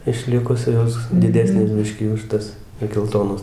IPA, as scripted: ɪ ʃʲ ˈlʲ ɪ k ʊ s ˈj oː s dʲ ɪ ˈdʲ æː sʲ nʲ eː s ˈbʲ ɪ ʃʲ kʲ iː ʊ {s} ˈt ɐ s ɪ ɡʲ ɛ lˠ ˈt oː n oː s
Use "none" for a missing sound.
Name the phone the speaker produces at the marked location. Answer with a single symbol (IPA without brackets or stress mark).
ʃ